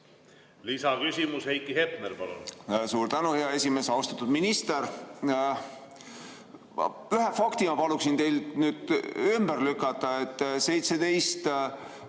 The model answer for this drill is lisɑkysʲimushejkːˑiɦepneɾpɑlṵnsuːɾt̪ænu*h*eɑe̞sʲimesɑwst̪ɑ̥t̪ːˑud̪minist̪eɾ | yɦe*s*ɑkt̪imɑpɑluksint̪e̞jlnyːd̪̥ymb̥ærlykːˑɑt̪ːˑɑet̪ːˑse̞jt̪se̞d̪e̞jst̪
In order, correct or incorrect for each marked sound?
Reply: correct, incorrect: f

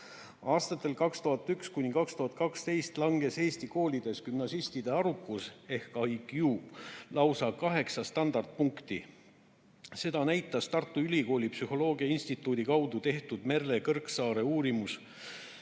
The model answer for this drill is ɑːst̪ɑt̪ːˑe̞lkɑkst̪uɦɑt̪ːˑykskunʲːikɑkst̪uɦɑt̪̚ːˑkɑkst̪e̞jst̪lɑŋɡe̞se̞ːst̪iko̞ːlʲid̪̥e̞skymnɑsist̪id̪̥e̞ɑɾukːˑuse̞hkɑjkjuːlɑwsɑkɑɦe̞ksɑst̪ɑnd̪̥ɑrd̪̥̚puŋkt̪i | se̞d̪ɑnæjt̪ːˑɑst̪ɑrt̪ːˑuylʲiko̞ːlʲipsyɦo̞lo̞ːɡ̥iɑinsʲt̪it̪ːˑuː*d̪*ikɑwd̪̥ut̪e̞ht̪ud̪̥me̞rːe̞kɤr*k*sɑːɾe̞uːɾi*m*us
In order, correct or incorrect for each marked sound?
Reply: correct, correct, correct

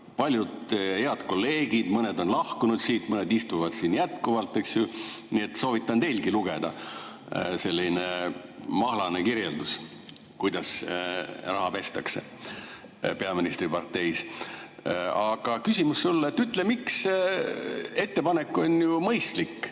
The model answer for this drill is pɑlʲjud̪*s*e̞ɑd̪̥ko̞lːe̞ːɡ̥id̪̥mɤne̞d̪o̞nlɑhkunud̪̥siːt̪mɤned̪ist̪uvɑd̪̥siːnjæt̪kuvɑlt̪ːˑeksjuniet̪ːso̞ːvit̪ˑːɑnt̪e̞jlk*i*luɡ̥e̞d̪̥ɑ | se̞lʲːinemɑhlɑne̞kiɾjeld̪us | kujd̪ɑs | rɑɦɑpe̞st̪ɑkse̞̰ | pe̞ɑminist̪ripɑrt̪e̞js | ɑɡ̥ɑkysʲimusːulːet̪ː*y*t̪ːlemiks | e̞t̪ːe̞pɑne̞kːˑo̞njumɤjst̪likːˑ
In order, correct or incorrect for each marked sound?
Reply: incorrect: h, correct, correct

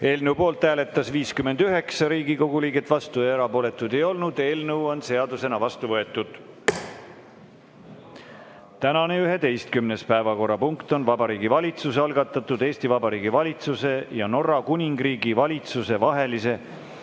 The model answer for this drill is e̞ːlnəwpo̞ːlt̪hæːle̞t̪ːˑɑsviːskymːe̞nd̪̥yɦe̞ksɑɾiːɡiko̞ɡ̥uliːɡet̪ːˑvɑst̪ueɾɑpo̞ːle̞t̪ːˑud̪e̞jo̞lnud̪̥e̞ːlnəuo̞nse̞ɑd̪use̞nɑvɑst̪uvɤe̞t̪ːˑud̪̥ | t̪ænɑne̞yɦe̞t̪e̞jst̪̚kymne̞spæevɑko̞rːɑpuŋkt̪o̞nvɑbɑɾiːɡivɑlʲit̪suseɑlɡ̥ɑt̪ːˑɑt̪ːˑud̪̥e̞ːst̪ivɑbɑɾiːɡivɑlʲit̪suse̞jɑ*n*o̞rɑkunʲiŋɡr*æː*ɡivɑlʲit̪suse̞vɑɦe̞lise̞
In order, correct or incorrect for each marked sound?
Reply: correct, incorrect: iː

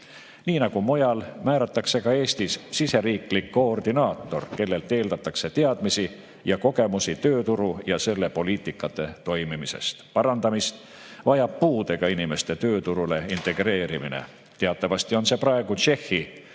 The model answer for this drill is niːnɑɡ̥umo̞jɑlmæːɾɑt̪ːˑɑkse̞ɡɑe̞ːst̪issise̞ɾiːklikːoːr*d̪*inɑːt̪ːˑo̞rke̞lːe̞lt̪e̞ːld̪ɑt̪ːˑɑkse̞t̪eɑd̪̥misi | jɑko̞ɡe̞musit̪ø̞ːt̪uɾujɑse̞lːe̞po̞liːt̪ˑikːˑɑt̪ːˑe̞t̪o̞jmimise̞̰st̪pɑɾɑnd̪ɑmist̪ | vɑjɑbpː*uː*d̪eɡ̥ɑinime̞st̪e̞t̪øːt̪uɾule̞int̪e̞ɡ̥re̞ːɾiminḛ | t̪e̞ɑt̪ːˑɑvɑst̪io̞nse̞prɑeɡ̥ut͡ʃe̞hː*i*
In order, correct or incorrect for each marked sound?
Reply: correct, correct, correct

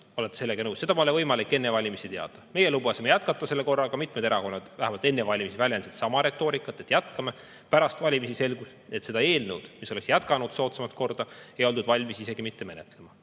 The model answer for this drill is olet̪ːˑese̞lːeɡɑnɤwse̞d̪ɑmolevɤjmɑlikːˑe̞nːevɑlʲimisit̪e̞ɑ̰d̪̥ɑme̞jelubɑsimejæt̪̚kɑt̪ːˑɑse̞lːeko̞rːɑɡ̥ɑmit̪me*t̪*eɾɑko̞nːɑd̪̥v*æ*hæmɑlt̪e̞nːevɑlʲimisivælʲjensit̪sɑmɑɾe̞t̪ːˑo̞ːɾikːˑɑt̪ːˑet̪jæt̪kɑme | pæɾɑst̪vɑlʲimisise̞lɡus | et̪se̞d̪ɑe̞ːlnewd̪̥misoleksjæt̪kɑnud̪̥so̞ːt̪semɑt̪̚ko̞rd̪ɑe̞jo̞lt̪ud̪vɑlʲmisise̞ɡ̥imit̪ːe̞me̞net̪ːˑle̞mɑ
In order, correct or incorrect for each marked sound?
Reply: incorrect: d̪, correct

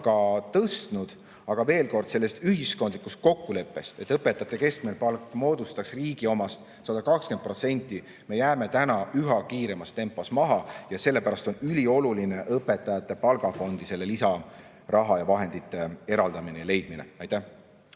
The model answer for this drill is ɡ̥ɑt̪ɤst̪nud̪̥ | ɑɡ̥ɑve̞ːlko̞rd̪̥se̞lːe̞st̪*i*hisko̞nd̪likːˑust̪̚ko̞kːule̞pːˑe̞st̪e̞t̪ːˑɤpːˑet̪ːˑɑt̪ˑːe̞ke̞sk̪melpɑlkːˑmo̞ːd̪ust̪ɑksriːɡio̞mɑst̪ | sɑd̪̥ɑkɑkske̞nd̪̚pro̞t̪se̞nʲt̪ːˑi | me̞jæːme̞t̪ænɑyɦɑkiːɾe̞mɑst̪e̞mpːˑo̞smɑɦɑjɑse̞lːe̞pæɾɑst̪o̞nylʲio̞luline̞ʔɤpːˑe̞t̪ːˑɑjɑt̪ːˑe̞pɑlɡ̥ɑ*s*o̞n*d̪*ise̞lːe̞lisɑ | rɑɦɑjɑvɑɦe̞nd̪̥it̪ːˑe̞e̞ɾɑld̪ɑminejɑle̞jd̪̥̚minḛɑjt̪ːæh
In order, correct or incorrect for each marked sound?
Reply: incorrect: y, incorrect: f, correct

